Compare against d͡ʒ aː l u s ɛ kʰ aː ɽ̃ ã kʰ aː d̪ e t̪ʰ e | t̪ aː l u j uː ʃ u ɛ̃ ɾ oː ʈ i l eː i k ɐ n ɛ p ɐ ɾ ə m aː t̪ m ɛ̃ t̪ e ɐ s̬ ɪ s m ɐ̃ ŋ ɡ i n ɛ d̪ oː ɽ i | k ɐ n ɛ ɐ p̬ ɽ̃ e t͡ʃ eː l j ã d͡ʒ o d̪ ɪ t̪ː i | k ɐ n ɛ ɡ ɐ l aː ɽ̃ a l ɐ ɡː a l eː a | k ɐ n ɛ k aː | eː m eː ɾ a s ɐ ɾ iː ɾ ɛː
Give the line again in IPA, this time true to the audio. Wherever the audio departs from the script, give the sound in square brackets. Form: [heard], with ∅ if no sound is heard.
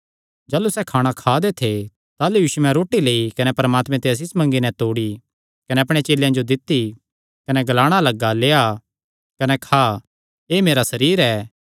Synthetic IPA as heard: d͡ʒ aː l u s ɛ kʰ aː ɽ̃ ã kʰ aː d̪ e t̪ʰ e | t̪ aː l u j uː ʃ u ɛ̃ ɾ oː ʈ i l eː i k ɐ n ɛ p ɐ ɾ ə m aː t̪ m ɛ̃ t̪ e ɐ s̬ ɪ s m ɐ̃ ŋ ɡ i n ɛ [t̪] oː ɽ i | k ɐ n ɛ ɐ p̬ ɽ̃ e t͡ʃ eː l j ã d͡ʒ o d̪ ɪ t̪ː i | k ɐ n ɛ ɡ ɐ l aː ɽ̃ a l ɐ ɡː a l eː a | k ɐ n ɛ [kʰ] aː | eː m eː ɾ a s ɐ ɾ iː ɾ ɛː